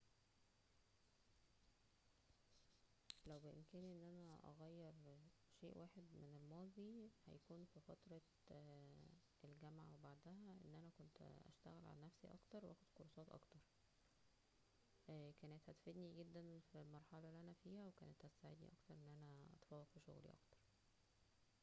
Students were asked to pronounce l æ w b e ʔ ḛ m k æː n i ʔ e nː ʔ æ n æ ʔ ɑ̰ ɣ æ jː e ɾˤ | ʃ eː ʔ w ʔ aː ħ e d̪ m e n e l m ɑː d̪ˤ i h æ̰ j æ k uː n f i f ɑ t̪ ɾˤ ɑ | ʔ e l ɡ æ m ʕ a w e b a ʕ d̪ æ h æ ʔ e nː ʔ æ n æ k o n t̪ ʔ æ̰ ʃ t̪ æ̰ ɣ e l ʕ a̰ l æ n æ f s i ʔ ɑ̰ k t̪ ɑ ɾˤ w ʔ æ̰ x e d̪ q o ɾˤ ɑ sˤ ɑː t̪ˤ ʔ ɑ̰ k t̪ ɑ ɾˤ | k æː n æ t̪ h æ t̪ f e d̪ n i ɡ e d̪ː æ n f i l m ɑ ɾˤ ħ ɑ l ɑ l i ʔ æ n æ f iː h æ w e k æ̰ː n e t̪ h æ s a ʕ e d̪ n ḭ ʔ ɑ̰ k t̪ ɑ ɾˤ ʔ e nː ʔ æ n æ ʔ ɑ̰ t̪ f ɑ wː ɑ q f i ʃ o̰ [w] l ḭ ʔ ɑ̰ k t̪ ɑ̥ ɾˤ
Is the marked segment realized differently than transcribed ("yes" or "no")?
yes